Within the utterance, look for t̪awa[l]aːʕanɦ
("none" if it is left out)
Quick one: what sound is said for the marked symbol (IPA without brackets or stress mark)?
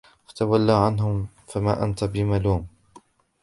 lː